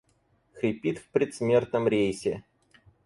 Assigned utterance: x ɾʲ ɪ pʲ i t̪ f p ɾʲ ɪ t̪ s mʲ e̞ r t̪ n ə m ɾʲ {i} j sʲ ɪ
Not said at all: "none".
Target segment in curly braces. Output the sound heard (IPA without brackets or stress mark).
e